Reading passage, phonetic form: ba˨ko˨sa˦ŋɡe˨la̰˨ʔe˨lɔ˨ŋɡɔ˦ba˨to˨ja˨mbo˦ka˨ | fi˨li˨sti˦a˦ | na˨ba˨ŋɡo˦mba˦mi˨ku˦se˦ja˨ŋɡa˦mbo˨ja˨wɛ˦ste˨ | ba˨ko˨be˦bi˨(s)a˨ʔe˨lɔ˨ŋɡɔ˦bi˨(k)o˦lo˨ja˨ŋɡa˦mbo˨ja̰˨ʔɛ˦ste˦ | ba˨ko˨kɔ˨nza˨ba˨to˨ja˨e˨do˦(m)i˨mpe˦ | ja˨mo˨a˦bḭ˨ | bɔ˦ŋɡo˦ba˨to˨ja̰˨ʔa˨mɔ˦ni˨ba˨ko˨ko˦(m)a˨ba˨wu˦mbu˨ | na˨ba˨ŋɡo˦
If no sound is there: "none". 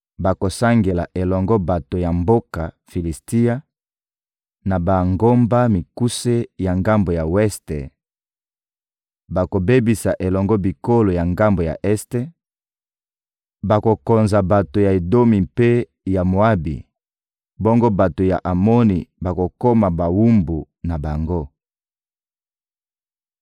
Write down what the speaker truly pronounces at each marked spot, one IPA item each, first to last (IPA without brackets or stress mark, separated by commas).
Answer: s, k, m, m